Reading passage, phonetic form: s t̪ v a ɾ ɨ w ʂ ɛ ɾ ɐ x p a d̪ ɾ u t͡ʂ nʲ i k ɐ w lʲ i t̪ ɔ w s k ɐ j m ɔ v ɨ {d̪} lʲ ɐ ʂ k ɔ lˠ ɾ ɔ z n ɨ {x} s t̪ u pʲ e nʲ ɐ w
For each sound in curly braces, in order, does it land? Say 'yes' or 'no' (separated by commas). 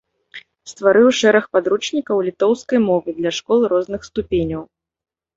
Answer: yes, yes